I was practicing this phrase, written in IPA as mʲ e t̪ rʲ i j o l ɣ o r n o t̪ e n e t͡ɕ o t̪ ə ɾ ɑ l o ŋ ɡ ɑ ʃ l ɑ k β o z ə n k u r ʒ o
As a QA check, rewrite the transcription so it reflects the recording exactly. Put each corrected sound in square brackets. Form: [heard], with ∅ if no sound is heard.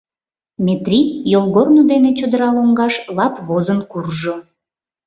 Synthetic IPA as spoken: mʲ e t̪ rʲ i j o l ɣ o r n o [d̪] e n e t͡ɕ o [d̪] ə ɾ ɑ l o ŋ ɡ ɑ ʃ l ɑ [p] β o z ə n k u r ʒ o